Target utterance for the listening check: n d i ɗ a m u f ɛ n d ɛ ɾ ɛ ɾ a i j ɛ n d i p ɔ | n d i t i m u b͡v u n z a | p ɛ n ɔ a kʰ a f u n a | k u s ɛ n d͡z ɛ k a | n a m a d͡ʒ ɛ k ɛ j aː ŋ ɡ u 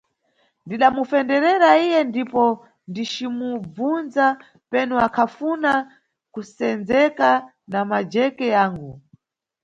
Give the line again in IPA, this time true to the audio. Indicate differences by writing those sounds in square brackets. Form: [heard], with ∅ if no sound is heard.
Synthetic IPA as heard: n d i ɗ a m u f ɛ n d ɛ ɾ ɛ ɾ a i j ɛ n d i p ɔ | n d i [t͡ʃ] i m u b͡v u n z a | p ɛ n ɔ a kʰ a f u n a | k u s ɛ n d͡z ɛ k a | n a m a d͡ʒ ɛ k ɛ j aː ŋ ɡ u